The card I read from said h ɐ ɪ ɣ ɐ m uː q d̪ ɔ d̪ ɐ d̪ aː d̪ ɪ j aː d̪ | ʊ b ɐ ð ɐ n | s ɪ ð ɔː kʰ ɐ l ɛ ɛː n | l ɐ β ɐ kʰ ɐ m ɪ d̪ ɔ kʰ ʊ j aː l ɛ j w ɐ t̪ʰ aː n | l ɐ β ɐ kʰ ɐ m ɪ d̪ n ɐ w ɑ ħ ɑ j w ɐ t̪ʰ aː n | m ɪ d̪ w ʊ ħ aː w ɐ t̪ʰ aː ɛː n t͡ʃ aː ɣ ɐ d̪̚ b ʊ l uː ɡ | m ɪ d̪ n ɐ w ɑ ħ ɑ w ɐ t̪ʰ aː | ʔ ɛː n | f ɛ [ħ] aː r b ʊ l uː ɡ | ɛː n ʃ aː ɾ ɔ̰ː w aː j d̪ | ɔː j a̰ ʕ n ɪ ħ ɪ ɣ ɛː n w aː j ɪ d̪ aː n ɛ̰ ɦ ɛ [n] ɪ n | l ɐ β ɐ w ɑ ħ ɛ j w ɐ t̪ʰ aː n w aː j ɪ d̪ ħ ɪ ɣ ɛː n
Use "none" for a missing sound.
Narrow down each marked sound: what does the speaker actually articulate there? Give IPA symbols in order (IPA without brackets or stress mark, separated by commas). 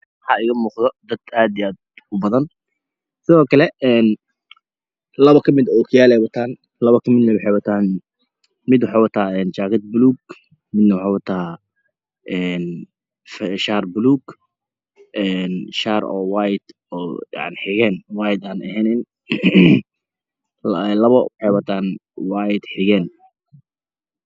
ʃ, n